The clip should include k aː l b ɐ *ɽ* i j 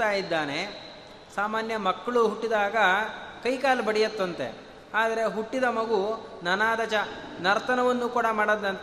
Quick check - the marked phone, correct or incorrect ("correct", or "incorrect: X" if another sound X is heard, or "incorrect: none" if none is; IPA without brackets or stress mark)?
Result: correct